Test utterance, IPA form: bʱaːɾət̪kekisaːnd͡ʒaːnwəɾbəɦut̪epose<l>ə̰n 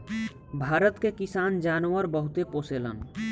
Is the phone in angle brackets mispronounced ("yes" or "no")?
no